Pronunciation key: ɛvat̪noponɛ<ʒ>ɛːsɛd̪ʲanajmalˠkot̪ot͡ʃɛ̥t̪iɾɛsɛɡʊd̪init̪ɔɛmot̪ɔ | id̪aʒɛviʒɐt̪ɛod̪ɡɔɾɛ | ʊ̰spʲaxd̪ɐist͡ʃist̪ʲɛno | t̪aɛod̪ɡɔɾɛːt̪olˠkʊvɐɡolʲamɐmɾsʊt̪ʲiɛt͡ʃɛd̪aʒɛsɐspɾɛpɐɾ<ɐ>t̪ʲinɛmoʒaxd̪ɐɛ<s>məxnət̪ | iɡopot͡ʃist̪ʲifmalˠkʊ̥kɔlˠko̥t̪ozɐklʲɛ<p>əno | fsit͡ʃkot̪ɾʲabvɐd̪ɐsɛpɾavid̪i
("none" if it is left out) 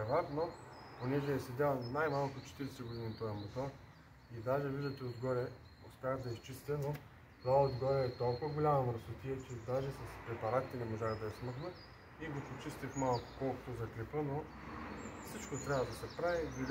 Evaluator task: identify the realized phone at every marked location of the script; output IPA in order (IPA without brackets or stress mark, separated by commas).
ʒ, a, s, p